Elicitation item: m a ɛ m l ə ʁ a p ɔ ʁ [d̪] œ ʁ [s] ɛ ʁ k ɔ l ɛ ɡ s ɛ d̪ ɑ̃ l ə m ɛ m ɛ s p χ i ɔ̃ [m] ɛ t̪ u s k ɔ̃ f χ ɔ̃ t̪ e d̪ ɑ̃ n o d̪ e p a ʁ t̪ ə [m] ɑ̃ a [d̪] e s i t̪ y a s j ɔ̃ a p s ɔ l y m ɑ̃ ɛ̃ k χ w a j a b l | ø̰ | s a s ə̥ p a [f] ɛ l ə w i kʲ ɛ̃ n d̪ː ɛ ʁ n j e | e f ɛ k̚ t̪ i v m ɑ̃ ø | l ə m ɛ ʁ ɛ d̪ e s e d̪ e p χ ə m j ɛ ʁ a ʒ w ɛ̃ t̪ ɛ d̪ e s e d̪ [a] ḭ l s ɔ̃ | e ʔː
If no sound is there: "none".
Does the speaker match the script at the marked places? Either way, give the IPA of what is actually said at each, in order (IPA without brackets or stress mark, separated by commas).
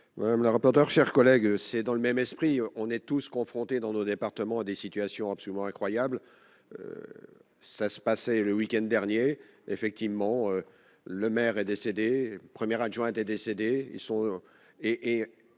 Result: t̪, ʃ, n, m, d̪, s, e